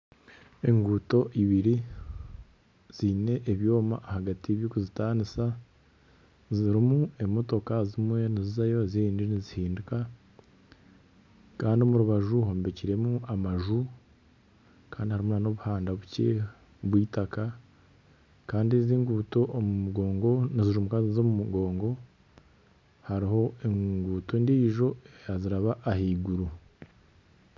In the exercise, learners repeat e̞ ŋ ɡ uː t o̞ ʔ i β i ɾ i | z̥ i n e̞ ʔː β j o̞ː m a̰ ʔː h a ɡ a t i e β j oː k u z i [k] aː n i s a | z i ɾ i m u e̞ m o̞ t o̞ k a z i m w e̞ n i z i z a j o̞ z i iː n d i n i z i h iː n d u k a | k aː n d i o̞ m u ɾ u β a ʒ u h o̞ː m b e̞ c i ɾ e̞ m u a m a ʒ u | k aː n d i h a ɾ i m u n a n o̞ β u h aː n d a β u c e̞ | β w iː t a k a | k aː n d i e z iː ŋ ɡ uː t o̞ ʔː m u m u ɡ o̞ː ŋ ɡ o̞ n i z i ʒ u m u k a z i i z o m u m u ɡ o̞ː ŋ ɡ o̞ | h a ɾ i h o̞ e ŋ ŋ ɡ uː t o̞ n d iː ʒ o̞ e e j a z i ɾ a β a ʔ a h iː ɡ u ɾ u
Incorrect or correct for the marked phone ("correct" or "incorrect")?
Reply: incorrect